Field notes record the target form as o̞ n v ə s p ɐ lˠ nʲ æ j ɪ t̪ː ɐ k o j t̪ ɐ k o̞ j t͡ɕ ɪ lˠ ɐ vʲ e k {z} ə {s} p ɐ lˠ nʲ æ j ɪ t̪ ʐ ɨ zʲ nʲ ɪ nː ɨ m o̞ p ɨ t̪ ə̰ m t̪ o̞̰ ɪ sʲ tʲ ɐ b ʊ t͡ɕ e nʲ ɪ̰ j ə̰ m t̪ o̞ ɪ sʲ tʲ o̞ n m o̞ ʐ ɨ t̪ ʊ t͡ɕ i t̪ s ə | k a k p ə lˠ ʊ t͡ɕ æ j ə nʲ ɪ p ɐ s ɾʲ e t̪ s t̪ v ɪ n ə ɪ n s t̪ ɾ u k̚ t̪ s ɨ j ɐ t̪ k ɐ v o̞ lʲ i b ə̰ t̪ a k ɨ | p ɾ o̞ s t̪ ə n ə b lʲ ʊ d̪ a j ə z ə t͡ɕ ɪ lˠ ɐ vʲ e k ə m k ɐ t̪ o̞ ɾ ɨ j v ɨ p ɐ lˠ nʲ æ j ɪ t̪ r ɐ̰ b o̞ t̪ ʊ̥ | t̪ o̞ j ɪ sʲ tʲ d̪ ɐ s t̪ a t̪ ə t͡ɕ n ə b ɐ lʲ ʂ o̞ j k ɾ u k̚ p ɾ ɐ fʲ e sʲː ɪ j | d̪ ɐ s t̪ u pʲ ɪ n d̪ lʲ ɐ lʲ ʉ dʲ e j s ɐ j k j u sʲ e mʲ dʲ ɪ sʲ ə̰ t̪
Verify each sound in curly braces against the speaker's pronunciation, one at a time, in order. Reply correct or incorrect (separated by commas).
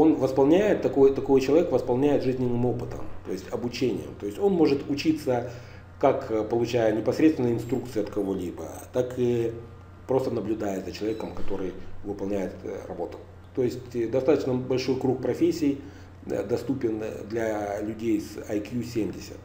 incorrect, correct